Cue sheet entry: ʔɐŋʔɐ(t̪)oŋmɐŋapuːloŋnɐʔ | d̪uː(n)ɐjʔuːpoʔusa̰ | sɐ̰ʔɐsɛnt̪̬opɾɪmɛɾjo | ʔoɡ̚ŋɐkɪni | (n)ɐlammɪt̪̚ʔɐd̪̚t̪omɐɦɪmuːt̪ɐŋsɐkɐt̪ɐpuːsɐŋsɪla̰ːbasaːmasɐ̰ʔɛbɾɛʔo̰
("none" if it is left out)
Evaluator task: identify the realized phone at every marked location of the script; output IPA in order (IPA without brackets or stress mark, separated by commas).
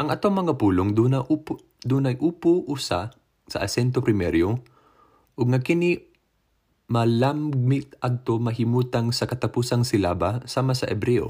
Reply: t̪, n, m